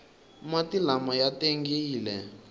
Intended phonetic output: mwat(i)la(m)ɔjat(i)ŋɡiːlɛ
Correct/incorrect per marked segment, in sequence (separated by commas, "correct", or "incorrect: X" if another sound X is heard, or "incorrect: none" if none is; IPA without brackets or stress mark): correct, correct, incorrect: e